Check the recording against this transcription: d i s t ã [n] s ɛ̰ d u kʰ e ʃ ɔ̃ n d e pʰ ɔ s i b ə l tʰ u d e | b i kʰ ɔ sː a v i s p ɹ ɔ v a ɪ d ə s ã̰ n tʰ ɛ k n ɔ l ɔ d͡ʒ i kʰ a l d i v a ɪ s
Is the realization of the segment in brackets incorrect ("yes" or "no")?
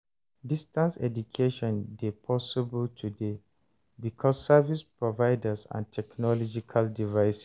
no